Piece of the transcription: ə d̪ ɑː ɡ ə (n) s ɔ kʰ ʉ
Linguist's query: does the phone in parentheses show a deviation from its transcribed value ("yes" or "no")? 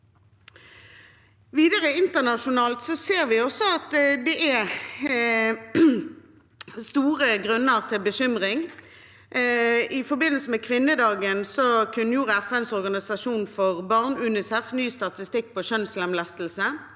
no